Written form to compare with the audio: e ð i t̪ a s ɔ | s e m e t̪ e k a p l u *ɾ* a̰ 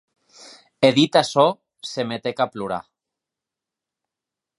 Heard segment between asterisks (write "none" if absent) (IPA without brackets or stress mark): ɾ